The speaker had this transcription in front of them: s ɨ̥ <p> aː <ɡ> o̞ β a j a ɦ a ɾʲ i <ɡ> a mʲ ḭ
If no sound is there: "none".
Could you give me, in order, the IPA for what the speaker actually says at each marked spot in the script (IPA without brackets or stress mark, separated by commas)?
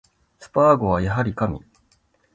p, ɡ, k